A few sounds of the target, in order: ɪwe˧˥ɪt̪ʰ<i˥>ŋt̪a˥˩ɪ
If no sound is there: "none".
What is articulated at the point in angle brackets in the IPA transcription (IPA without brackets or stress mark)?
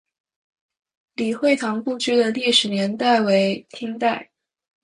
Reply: i˥